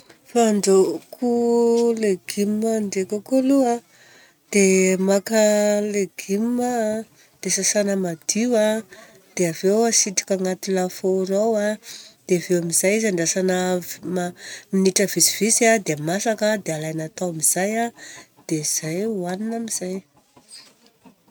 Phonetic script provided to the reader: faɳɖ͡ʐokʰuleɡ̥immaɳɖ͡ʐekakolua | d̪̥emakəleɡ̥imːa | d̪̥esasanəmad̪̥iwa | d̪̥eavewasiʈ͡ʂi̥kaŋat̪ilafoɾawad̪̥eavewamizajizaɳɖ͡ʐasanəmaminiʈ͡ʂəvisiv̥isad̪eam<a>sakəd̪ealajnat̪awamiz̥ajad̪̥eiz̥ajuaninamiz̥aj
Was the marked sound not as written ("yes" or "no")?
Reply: no